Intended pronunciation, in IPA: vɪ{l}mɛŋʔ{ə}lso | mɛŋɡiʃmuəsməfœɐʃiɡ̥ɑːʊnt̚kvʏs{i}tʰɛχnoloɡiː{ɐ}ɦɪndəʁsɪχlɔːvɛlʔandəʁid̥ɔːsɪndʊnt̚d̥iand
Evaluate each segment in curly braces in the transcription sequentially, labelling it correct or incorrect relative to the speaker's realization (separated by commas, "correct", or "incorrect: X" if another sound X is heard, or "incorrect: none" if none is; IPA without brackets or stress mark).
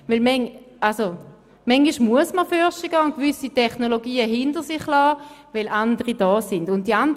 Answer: correct, incorrect: a, correct, incorrect: ə